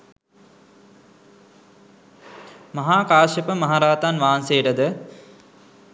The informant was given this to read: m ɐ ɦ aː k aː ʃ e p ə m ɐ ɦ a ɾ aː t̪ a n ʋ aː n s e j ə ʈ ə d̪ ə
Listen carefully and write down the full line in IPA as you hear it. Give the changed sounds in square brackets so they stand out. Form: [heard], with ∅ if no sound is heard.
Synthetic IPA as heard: m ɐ ɦ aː k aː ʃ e p ə m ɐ ɦ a ɾ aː t̪ a n ʋ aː n s e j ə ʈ ə d̪ ə